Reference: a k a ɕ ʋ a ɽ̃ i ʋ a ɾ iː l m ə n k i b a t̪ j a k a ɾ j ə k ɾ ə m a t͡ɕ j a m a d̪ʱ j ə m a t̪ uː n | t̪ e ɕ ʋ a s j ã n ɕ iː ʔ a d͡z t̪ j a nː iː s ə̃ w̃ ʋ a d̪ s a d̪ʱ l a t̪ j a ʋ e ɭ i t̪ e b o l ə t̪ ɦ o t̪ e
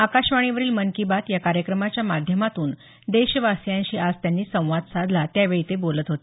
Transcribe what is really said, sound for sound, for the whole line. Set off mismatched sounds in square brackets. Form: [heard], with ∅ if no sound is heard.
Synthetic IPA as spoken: a k a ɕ ʋ a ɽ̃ i ʋ [ə] ɾ iː l m ə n k i b a t̪ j a k a ɾ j ə k ɾ ə m a t͡ɕ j a m a d̪ʱ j ə m a t̪ uː n | [d̪] e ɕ ʋ a s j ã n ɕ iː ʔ a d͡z t̪ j a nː iː s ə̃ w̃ ʋ a d̪ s a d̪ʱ l a t̪ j a ʋ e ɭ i t̪ e b o l ə t̪ ɦ o t̪ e